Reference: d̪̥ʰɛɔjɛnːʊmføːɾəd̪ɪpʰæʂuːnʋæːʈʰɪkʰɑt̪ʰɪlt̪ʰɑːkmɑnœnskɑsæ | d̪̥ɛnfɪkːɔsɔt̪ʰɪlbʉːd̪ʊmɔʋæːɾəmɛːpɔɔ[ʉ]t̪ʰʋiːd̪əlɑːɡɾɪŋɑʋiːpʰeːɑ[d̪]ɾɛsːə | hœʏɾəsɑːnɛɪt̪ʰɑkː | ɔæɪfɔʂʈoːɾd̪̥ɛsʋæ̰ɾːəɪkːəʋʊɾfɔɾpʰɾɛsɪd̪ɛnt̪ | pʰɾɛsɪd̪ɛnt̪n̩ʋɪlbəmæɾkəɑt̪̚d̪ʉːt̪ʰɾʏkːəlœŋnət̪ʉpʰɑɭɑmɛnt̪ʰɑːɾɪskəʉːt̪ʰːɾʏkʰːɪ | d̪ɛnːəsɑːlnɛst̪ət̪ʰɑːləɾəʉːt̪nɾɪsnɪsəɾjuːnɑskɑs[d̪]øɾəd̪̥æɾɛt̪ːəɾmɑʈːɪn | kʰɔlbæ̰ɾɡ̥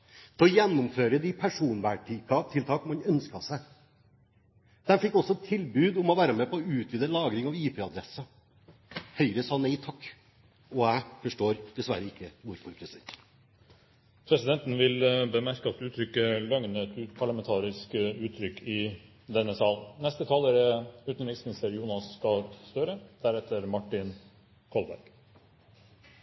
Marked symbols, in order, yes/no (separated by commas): no, yes, no